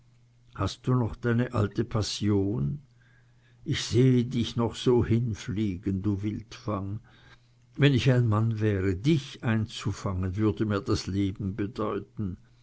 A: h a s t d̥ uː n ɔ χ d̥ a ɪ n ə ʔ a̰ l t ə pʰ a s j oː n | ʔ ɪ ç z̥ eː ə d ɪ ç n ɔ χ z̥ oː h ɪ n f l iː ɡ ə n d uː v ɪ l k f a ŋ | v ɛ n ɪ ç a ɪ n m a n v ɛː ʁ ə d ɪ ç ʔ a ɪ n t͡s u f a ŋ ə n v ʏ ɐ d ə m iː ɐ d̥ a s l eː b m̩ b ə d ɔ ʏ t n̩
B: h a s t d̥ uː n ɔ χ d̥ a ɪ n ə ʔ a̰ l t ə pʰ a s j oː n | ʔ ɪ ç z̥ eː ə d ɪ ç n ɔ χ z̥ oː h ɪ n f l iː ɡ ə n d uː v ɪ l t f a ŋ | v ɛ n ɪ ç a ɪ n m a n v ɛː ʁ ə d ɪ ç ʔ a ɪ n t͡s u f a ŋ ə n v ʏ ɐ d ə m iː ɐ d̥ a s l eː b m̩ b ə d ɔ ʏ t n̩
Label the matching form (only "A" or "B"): B